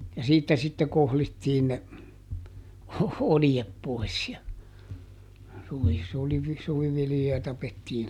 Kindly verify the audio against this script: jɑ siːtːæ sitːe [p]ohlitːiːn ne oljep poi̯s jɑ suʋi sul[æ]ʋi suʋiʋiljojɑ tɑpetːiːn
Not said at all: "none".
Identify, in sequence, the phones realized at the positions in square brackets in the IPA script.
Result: k, i

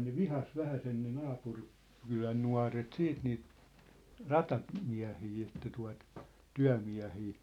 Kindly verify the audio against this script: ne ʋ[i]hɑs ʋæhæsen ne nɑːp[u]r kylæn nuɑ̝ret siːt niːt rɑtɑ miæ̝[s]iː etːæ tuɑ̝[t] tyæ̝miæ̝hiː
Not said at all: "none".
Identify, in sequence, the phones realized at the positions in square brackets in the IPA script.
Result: i, u, h, t

